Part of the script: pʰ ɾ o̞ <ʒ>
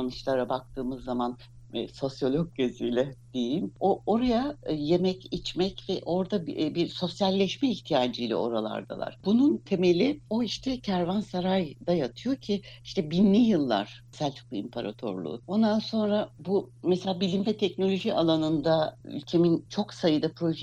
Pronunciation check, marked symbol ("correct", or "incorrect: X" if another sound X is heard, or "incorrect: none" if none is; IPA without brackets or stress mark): correct